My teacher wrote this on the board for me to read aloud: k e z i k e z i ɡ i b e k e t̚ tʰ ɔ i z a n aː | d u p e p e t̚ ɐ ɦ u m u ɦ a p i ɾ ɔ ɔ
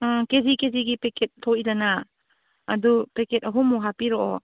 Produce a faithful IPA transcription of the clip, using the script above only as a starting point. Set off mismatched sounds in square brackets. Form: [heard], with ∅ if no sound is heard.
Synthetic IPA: k e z i k e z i ɡ i [p] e k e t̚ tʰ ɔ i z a n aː | d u p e [k] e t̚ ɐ ɦ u m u ɦ a p i ɾ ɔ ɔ